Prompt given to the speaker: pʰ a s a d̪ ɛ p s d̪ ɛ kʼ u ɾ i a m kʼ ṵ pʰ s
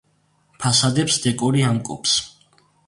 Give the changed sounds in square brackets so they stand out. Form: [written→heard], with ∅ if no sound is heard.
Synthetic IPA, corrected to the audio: pʰ a s a d̪ ɛ p s d̪ ɛ kʼ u ɾ i a m kʼ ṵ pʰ s